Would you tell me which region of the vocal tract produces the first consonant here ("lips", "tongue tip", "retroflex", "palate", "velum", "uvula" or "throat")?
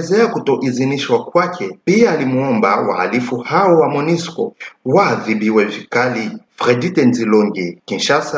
tongue tip